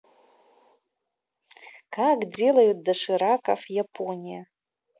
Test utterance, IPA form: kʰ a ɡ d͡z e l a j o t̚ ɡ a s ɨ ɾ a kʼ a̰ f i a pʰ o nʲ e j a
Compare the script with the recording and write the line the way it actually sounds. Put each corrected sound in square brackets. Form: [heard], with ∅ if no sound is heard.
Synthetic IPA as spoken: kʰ a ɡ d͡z e l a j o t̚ [d] a [ʂ] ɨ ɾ a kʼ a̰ f [j] a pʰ o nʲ [i] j a